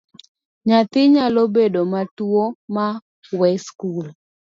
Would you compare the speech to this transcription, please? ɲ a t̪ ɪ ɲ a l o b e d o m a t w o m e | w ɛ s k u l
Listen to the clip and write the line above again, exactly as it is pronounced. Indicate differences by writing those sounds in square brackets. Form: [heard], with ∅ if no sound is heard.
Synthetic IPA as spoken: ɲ a t̪ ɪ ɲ a l o b e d o m a t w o m [a] | w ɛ s k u l